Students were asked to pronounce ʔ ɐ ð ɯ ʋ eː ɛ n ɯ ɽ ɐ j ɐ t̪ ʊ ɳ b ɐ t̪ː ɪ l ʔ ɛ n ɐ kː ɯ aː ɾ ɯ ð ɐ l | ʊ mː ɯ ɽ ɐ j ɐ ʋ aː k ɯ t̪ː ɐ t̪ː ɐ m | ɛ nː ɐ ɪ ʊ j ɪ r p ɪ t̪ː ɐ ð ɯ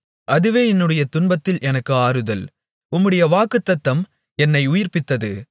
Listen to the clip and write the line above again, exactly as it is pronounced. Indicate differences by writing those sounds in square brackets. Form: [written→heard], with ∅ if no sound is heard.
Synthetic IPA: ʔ ɐ ð ɯ ʋ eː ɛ [n→nː] ɯ ɽ ɐ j ɐ t̪ ʊ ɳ b ɐ t̪ː ɪ l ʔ ɛ n ɐ kː ɯ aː ɾ ɯ ð ɐ l | ʊ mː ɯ ɽ ɐ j ɐ ʋ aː k ɯ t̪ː ɐ t̪ː ɐ m | ɛ nː ɐ ɪ ʊ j ɪ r p ɪ t̪ː ɐ ð ɯ